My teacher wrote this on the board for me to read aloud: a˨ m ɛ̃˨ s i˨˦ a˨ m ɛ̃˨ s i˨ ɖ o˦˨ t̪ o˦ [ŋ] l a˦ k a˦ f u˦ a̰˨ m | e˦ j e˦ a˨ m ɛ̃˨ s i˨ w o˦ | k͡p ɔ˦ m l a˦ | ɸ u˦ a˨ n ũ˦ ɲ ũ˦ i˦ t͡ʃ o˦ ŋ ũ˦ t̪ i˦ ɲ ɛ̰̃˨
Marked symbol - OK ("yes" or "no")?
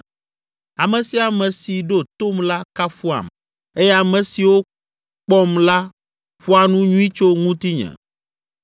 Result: no